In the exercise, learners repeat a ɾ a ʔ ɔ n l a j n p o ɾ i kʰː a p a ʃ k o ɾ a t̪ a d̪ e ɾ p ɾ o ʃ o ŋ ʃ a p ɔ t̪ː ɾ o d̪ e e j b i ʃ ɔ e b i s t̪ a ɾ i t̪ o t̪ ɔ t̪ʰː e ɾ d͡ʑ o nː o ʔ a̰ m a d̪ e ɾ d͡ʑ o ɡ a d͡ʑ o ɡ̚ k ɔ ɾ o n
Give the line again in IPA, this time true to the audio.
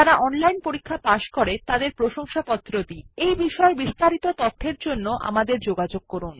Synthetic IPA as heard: a ɾ a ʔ ɔ n l a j n p o ɾ i kʰː a p a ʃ k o ɾ e t̪ a d̪ e ɾ p ɾ o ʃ o ŋ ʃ a p ɔ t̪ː ɾ o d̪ i e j b i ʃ ɔ e b i s t̪ a ɾ i t̪ o t̪ ɔ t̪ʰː e ɾ d͡ʑ o nː o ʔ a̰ m a d̪ e ɾ d͡ʑ o ɡ a d͡ʑ o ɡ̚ k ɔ ɾ u n